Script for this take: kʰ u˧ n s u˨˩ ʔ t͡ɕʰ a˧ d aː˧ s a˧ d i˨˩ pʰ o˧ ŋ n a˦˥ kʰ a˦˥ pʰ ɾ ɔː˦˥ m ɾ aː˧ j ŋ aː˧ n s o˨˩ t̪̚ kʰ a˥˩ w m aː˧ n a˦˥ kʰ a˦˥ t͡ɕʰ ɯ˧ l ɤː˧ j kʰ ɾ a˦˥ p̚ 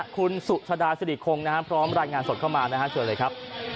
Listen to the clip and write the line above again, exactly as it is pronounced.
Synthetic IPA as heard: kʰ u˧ n s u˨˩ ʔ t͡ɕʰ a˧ d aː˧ s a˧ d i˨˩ kʰ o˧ ŋ n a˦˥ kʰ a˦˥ pʰ ɾ ɔː˦˥ m ɾ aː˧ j ŋ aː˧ n s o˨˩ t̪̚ kʰ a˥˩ w m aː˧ n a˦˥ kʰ a˦˥ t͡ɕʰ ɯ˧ l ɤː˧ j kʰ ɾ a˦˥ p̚